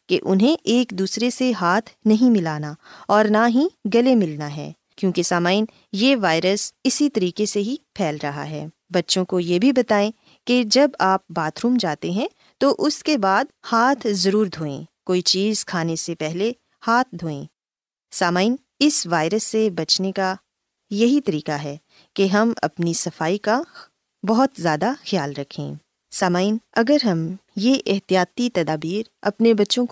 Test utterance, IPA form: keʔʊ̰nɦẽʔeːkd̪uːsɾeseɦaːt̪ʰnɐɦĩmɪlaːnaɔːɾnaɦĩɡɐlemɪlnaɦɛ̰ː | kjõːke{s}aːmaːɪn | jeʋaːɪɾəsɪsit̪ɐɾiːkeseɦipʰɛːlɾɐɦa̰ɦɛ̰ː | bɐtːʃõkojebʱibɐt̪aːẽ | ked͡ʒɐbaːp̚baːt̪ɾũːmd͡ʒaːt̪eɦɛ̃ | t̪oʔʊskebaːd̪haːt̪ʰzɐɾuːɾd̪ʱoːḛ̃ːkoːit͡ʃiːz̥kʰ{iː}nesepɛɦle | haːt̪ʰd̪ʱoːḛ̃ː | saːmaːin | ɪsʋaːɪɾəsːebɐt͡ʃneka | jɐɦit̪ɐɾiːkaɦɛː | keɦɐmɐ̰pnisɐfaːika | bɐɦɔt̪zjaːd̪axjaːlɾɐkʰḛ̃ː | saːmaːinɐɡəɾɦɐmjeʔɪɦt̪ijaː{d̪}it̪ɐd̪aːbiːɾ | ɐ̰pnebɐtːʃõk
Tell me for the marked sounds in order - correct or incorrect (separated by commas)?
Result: correct, incorrect, incorrect